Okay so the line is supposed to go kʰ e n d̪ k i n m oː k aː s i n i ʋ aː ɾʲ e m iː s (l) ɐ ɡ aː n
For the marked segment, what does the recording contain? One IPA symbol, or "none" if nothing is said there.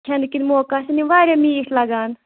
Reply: l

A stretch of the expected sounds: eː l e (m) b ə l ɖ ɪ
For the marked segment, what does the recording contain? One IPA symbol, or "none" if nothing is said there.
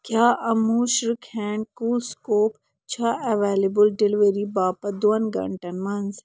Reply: none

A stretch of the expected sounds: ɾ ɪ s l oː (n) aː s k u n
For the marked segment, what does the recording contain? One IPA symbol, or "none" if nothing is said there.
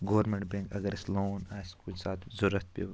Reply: n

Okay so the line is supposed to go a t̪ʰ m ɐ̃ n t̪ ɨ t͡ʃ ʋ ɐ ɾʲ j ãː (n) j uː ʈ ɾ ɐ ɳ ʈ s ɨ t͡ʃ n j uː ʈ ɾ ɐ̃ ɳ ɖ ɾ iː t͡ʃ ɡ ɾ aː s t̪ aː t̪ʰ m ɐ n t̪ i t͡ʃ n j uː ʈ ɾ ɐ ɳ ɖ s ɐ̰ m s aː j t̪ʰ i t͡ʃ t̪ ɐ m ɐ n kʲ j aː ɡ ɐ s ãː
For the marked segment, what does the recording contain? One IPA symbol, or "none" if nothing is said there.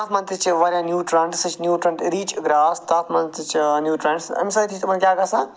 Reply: n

